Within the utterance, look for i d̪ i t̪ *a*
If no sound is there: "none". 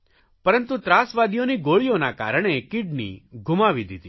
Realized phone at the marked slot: i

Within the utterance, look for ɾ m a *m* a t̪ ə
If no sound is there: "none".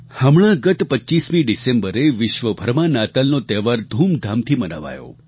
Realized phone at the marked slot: n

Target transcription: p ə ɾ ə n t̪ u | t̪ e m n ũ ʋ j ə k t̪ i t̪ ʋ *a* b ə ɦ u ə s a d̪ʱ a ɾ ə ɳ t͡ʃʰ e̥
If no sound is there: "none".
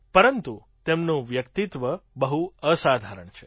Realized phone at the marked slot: ə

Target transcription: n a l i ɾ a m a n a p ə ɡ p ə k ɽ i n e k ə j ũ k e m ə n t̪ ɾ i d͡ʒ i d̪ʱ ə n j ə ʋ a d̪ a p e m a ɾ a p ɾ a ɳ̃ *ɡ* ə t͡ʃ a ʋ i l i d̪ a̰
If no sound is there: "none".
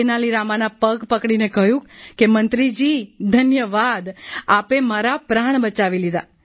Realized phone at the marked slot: b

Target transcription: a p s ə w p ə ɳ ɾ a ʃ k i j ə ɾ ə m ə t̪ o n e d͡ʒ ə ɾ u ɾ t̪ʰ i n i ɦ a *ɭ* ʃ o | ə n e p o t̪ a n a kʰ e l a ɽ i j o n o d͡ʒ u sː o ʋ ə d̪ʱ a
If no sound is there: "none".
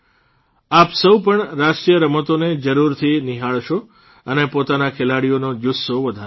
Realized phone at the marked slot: ɭ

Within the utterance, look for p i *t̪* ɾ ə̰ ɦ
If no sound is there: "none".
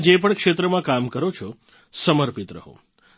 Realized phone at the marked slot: t̪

